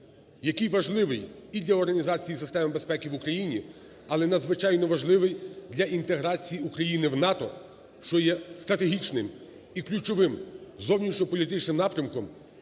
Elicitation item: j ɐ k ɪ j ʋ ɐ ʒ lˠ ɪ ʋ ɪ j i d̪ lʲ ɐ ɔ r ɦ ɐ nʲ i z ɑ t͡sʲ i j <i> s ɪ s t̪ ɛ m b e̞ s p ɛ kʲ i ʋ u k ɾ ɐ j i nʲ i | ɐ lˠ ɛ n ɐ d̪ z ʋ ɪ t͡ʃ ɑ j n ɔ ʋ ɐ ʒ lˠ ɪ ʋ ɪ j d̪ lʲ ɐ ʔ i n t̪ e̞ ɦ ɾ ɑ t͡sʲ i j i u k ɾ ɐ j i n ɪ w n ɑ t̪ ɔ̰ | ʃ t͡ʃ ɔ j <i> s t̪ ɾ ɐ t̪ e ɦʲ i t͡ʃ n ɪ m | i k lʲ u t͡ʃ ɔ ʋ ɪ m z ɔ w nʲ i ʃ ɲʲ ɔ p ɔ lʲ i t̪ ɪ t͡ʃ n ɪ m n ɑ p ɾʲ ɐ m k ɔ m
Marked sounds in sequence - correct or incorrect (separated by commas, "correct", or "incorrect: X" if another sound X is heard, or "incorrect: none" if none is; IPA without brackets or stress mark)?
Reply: correct, incorrect: ɛ